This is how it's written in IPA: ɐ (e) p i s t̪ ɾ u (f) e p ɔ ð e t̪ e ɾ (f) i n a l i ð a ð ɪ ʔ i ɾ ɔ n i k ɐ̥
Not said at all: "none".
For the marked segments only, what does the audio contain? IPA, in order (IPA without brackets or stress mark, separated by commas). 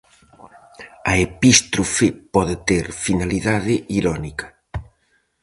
e, f, f